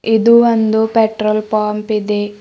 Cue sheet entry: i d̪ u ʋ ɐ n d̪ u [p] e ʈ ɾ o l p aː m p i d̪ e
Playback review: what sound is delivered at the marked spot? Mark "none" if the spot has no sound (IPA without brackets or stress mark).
p